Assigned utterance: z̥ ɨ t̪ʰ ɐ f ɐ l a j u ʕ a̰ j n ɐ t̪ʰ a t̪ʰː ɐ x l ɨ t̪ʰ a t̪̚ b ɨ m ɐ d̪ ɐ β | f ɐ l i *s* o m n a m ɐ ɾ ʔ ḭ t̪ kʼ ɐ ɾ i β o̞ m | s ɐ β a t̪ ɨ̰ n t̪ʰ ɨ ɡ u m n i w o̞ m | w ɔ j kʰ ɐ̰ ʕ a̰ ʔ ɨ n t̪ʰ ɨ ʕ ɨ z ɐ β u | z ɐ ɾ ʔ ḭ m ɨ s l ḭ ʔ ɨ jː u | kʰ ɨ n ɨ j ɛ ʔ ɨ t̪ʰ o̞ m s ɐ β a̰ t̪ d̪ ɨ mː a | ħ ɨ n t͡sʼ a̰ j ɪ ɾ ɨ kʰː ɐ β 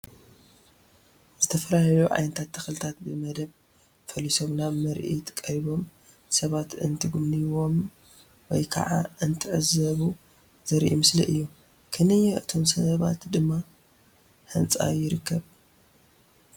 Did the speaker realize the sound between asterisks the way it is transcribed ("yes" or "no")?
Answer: yes